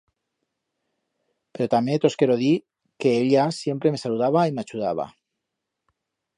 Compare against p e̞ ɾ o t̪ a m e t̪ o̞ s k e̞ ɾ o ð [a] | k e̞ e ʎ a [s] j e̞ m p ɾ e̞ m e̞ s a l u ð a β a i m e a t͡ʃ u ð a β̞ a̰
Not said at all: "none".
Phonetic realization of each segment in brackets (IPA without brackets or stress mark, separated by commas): i, s